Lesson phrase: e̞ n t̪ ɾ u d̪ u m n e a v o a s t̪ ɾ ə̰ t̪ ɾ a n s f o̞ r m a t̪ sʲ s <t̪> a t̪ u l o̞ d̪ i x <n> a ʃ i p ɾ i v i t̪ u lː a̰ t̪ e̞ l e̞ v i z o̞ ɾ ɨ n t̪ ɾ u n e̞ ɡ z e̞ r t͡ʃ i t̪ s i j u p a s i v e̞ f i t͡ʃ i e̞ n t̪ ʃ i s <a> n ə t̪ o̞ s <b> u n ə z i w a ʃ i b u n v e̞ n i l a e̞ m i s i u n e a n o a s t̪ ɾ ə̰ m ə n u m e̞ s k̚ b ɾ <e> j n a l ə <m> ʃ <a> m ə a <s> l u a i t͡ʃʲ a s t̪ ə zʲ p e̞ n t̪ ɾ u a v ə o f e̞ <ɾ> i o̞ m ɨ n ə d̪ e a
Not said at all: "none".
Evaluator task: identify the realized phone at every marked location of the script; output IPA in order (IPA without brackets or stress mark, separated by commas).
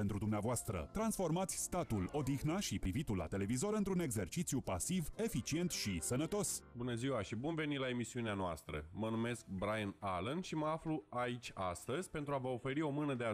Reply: t̪, n, ə, b, a, n, i, f, ɾ